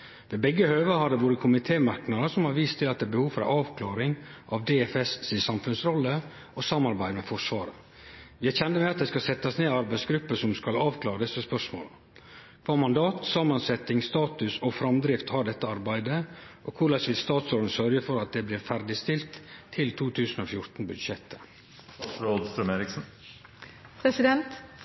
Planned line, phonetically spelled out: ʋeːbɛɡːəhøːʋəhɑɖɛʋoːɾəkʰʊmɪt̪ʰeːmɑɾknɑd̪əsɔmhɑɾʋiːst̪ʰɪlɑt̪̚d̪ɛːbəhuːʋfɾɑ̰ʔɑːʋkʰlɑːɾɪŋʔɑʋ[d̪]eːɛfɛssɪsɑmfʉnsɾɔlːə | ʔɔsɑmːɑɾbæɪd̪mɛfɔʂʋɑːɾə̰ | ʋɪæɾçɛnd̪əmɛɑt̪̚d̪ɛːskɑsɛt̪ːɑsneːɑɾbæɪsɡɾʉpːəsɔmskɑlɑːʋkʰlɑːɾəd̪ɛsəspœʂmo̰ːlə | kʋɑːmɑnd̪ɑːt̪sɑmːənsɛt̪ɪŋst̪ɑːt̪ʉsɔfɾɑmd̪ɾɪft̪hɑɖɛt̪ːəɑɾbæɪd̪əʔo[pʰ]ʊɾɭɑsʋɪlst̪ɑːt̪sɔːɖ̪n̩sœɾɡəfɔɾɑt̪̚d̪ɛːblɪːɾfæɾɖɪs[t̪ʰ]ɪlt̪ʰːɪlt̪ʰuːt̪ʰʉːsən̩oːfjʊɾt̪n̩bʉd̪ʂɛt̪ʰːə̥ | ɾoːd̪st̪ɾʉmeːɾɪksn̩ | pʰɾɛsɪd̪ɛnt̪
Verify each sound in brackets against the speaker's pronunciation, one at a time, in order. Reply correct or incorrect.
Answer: correct, incorrect: kʰ, incorrect: t̪

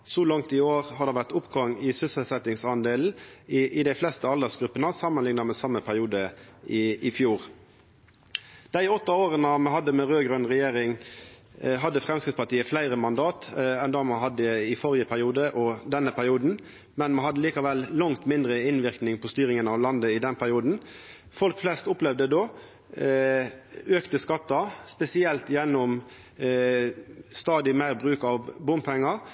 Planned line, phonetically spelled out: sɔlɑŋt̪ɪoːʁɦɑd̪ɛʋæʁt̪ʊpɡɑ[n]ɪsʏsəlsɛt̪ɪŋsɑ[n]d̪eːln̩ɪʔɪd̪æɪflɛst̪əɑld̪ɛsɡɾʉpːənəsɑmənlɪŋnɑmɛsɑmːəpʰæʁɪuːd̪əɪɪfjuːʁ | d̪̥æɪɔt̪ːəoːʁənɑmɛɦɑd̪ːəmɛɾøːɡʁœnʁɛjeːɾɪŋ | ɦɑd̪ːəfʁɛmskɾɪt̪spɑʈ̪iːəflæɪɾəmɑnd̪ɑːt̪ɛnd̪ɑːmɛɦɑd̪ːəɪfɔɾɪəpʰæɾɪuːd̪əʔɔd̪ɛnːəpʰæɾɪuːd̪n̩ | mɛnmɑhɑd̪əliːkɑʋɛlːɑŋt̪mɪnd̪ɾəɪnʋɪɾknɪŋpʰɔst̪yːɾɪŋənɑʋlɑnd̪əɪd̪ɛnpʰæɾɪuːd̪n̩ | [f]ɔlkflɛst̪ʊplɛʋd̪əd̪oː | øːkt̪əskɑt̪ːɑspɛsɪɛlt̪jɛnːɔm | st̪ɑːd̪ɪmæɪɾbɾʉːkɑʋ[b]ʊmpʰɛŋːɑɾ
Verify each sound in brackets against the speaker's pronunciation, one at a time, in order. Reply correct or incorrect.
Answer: incorrect: ŋ, correct, correct, correct

